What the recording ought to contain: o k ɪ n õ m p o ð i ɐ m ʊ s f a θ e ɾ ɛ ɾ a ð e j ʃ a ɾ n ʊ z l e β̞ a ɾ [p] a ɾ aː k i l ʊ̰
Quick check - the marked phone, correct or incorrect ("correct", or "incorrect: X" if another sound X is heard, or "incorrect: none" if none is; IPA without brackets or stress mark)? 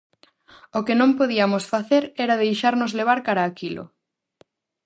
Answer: incorrect: k